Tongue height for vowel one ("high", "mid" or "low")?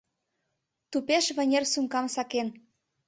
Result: high